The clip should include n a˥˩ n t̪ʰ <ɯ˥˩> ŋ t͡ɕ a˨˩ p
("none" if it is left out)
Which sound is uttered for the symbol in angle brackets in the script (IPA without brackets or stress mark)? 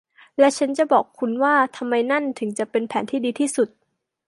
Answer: ɯ˩˦